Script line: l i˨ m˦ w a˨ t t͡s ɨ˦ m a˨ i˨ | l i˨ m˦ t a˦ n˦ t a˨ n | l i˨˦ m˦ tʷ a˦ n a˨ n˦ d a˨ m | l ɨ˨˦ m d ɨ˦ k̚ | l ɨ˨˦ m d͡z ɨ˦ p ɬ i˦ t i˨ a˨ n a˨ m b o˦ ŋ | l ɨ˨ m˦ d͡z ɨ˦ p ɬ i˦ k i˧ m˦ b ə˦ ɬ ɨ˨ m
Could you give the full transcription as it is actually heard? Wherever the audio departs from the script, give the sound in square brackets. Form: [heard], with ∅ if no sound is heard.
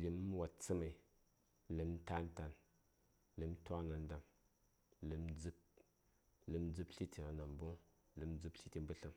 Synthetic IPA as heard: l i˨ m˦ w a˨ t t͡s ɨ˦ m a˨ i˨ | l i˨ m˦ t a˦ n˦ t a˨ n | l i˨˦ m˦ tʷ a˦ n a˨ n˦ d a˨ m | l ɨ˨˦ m [d͡z] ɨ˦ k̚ | l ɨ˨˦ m d͡z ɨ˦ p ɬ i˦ t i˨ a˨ n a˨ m b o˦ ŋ | l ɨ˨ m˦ d͡z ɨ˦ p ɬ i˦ [t] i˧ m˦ b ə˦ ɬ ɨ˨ m